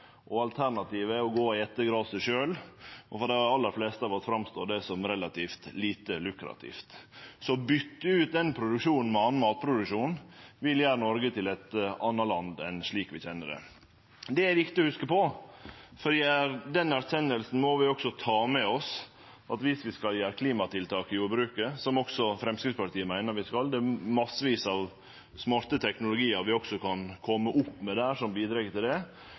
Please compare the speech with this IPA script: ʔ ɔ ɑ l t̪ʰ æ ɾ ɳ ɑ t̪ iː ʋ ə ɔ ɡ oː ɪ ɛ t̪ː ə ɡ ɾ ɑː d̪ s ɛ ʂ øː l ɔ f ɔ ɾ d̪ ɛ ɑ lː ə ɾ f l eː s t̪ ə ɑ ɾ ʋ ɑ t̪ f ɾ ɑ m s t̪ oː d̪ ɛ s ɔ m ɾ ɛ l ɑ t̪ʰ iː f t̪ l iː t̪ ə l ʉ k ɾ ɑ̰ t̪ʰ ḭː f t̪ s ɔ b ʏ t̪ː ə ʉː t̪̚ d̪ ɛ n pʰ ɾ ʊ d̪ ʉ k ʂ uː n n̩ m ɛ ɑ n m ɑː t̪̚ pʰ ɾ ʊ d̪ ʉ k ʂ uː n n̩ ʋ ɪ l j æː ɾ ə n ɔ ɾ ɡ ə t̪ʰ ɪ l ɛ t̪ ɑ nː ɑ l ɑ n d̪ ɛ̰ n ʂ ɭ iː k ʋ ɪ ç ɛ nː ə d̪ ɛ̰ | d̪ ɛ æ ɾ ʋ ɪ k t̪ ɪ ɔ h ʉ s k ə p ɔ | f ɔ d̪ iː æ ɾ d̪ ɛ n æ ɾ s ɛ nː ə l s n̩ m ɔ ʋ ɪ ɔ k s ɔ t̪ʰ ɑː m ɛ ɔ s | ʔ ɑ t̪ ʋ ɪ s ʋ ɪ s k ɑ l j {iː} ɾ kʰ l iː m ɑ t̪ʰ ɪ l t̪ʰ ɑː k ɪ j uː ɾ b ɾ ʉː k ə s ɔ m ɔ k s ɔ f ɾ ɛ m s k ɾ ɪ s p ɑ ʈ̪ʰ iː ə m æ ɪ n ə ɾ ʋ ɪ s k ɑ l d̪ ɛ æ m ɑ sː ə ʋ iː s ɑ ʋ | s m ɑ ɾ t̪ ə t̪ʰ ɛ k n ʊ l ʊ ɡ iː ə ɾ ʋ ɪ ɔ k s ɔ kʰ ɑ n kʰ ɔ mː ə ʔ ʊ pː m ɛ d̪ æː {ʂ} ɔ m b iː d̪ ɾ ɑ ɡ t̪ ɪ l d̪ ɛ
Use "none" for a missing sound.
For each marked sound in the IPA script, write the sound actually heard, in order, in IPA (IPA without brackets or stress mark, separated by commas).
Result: æː, ʂ